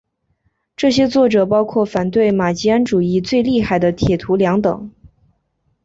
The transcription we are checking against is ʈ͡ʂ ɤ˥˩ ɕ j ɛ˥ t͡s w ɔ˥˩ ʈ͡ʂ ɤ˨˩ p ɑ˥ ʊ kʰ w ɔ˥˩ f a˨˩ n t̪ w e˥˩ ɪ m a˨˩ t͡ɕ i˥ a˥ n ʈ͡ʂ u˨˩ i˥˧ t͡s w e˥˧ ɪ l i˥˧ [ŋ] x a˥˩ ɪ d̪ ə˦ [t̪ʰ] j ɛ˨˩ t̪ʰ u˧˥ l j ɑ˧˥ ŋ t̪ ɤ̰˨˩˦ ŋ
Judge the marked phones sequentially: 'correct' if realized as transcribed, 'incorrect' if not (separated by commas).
incorrect, correct